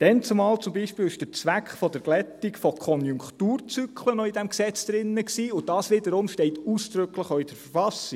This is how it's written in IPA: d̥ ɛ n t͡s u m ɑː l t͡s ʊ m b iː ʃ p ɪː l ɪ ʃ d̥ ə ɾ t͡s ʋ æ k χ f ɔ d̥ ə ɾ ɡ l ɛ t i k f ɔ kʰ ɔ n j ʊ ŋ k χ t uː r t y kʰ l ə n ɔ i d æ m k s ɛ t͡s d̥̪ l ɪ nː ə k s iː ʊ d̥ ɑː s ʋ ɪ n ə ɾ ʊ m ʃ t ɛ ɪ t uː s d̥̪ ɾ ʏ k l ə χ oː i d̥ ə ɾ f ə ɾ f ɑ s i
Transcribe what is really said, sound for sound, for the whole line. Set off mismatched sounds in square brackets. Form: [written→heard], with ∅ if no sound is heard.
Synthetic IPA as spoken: d̥ ɛ n t͡s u m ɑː l t͡s ʊ m b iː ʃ p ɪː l ɪ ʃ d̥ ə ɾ t͡s ʋ æ k χ f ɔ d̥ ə ɾ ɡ l ɛ t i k f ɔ kʰ ɔ n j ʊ ŋ k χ t uː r [t→t͡s] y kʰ l ə n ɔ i d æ m k s ɛ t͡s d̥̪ [l→ɾ] ɪ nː ə k s iː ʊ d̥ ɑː s ʋ ɪ [n→d] ə ɾ ʊ m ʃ t ɛ ɪ t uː s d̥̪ ɾ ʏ k l ə χ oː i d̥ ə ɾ f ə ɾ f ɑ s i